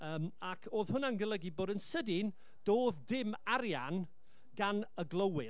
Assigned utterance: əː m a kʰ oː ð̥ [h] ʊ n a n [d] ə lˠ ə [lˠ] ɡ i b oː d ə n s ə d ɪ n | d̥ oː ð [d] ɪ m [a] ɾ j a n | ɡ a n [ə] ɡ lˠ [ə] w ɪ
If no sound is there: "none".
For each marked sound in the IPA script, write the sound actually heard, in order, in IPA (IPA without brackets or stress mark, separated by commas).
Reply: h, ɡ, none, d, a, ə, ə